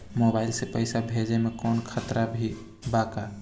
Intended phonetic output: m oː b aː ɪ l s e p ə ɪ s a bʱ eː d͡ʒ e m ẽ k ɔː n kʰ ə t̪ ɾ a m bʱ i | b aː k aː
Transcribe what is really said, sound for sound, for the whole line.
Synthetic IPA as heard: m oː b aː ɪ l s e p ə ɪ s a bʱ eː d͡ʒ e m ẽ k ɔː n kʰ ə t̪ ɾ a bʱ i | b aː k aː